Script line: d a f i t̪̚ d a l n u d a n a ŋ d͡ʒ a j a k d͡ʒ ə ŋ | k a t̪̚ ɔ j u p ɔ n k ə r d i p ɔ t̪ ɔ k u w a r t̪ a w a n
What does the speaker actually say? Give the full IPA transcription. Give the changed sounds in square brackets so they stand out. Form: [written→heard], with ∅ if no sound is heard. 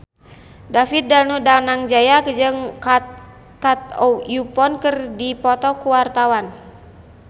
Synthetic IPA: d a f i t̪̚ d a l n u d a n a ŋ d͡ʒ a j a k d͡ʒ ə ŋ | k a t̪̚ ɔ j u p ɔ n k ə r d i p ɔ t̪ ɔ k u w a r t̪ a w a n